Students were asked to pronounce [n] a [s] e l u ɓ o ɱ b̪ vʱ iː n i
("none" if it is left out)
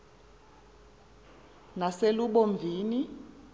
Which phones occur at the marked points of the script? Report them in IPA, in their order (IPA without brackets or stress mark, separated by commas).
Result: n, s